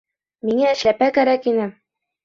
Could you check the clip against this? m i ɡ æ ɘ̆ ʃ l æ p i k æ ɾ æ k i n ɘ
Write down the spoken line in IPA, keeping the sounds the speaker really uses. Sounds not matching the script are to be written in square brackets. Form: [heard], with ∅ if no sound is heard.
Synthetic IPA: m i [ŋ] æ ɘ̆ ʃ l æ p [æ] k æ ɾ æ k i n ɘ